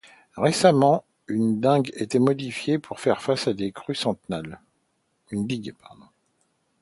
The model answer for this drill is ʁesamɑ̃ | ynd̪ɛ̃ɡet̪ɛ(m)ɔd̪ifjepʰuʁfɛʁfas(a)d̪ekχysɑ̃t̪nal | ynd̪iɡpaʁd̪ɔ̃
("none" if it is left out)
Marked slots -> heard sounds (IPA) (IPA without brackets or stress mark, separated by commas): m, a